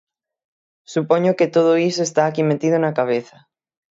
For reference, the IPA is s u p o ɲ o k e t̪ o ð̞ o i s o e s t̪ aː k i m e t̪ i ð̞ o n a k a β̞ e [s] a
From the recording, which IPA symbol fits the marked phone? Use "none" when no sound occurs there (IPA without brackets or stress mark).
θ